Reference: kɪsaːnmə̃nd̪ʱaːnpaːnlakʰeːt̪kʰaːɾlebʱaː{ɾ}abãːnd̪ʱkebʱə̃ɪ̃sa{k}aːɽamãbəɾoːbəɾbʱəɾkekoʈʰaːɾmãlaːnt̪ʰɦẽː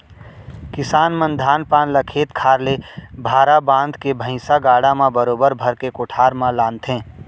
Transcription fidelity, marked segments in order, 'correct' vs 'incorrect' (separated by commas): correct, incorrect